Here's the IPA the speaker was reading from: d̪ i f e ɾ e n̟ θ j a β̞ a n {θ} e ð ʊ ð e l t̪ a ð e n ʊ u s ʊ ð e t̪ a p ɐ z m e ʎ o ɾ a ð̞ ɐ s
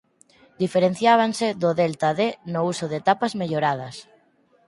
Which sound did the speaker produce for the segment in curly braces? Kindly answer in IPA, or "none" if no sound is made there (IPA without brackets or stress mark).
s